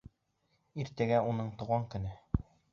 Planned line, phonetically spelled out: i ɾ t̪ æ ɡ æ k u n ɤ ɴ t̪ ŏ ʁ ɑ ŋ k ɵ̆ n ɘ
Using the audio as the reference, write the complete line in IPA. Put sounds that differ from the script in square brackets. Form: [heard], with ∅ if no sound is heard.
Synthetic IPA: i ɾ t̪ æ ɡ æ [∅] u n ɤ ɴ t̪ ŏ ʁ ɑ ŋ k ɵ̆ n ɘ